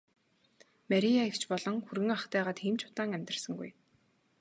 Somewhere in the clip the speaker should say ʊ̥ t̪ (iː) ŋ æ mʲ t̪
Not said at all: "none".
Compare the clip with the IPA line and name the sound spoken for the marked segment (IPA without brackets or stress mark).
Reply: aː